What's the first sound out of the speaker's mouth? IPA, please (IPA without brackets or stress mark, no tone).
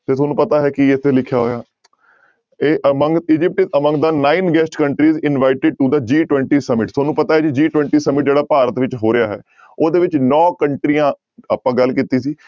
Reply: t̪